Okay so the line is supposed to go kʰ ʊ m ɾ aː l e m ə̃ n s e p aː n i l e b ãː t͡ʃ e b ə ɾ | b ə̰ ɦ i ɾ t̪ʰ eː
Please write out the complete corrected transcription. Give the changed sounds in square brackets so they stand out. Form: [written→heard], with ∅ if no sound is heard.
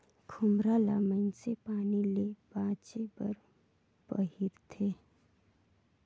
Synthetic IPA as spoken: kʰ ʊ m ɾ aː l [e→a] m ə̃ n s e p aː n i l e b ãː t͡ʃ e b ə ɾ | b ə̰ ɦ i ɾ t̪ʰ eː

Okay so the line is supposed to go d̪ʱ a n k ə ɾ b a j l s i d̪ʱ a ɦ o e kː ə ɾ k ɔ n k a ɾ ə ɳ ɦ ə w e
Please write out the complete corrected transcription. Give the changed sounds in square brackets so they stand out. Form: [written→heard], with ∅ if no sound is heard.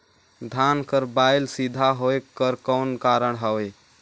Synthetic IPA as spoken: d̪ʱ a n k ə ɾ b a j l s i d̪ʱ a ɦ o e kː ə ɾ k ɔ n k a ɾ ə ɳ ɦ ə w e

